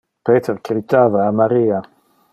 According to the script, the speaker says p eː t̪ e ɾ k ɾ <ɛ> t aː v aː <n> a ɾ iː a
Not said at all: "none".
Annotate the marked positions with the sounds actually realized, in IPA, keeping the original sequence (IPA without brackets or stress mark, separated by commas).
i, m